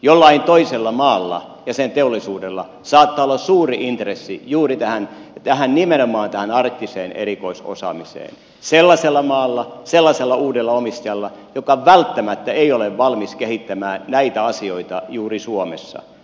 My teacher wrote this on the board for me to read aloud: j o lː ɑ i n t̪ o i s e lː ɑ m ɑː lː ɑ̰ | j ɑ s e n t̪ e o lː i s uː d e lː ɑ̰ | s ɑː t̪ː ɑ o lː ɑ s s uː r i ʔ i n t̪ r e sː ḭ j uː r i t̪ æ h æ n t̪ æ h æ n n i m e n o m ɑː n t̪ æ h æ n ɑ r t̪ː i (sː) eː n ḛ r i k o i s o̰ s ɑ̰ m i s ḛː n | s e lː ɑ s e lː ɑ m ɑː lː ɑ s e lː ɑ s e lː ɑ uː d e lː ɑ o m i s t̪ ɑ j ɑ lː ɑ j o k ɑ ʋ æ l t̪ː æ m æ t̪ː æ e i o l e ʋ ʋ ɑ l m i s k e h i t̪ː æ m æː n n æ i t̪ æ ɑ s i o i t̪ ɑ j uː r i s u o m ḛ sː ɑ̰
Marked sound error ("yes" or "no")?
yes